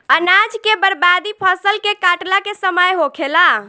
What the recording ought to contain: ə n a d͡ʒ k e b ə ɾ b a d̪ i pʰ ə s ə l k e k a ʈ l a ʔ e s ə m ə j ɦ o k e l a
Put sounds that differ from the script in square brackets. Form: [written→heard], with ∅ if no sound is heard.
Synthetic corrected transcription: ə n a d͡ʒ k e b ə ɾ b a d̪ i pʰ ə s ə l k e k a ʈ l a [ʔ→k] e s ə m ə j ɦ o [k→kʰ] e l a

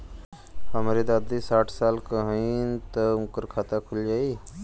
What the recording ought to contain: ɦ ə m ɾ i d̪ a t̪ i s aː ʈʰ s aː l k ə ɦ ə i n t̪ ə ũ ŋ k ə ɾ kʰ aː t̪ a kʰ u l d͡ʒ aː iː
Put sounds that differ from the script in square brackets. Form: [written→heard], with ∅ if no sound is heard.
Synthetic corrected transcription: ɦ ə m ɾ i d̪ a [t̪→d̪] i s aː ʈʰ s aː l k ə ɦ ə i n t̪ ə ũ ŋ k ə ɾ kʰ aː t̪ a kʰ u l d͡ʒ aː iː

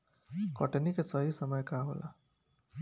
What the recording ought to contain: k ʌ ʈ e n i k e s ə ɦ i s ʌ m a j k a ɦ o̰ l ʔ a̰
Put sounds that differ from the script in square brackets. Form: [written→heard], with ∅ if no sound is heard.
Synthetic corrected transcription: k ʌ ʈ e n i k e s [ə→ʌ] ɦ i s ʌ m [a→ʌ] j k a ɦ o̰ l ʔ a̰

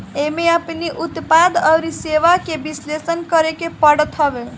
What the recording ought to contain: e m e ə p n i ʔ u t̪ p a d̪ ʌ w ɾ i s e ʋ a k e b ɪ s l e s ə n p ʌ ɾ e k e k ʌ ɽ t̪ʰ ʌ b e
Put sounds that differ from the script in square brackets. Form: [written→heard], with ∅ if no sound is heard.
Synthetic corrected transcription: e m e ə p n i ʔ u t̪ p a d̪ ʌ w ɾ i s e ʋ a k e b [ɪ→i] s l e s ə n [p→k] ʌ ɾ e k e [k→p] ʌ ɽ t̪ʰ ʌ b e

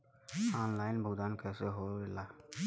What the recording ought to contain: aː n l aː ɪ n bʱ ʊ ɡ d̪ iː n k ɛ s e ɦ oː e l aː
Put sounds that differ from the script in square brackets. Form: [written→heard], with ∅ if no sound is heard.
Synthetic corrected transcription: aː n l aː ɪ n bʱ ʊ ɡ d̪ [iː→aː] n k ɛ s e ɦ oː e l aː

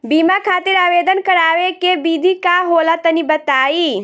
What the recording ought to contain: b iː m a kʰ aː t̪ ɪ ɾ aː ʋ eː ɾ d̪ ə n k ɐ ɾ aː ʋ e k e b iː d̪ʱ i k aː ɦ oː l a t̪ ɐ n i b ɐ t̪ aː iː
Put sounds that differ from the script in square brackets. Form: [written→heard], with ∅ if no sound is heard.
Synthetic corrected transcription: b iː m a kʰ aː t̪ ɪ ɾ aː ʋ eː [ɾ→∅] d̪ ə n k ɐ ɾ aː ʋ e k e b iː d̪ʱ i k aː ɦ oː l a t̪ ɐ n i b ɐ t̪ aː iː

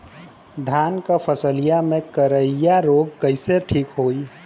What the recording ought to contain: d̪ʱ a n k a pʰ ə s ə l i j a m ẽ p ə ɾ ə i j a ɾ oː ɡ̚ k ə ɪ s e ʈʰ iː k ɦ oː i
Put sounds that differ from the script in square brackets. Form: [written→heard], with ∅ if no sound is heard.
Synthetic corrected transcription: d̪ʱ a n k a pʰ ə s ə l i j a m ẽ [p→k] ə ɾ ə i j a ɾ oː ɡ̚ k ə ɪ s e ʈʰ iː k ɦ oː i

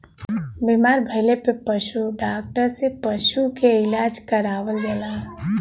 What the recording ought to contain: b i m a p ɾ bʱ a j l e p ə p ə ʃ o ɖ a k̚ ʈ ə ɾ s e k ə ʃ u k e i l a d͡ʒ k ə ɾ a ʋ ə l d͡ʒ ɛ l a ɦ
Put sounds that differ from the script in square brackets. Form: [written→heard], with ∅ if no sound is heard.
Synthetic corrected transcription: b i m a [p→∅] ɾ bʱ [a→ə] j l e p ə p ə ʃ [o→u] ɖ a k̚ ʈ ə ɾ s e [k→p] ə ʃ u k e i l a d͡ʒ k ə ɾ a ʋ ə l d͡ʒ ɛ l a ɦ

